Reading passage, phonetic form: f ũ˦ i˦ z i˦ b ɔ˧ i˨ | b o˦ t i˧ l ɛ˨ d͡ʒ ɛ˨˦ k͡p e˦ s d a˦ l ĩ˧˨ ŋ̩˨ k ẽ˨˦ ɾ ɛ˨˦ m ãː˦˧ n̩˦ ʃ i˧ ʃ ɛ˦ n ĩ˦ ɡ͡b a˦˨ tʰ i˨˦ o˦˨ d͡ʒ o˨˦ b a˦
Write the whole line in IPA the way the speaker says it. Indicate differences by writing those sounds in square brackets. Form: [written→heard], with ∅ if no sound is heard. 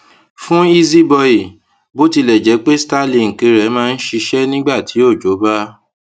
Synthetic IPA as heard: f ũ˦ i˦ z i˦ b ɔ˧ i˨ | b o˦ t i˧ l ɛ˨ d͡ʒ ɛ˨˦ k͡p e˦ s [d→t] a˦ l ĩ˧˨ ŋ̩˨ k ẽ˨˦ ɾ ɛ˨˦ m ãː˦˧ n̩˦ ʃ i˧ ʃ ɛ˦ n ĩ˦ ɡ͡b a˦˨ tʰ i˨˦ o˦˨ d͡ʒ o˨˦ b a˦